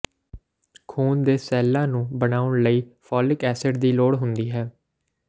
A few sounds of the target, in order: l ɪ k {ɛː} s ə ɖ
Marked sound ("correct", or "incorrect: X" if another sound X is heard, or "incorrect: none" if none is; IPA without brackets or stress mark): correct